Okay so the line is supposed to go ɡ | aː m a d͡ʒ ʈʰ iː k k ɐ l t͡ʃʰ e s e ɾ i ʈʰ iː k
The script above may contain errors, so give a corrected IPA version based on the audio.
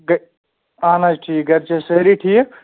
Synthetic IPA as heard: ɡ | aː n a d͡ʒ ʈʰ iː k ɡ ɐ ɾ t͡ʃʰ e s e ɾ i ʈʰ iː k